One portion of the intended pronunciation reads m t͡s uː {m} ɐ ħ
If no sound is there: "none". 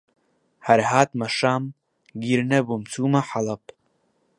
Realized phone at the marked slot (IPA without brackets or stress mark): m